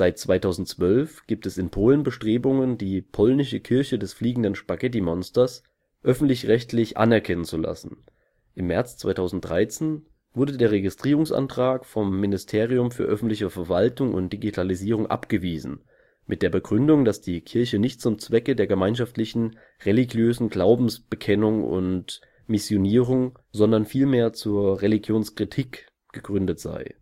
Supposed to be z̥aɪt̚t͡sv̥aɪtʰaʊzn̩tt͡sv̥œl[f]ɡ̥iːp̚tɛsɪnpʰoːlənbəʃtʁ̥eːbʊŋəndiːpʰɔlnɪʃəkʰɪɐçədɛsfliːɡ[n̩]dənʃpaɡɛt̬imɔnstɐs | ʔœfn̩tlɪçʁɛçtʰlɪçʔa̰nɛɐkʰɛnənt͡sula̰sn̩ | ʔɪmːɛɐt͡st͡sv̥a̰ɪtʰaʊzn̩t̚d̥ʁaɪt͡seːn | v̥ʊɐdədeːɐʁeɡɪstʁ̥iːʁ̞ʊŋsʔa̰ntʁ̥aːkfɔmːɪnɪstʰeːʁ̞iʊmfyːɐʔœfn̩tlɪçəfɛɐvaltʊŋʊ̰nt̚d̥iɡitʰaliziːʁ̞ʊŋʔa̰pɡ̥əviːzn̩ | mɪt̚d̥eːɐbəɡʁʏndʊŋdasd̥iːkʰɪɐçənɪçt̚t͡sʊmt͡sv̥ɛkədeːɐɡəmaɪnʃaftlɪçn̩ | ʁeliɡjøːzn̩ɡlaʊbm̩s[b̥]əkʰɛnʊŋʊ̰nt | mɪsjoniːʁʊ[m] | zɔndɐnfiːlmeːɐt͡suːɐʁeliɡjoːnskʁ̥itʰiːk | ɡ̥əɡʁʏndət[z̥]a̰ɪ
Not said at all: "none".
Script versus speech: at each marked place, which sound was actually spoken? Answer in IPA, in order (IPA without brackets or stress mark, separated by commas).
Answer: f, ŋ̩, b̥, ŋ, z̥